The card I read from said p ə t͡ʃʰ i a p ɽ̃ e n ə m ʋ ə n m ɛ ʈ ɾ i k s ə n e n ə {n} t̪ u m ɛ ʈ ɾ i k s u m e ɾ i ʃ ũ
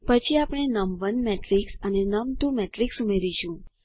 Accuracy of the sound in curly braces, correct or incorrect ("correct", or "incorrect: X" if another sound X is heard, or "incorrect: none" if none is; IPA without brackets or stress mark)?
incorrect: m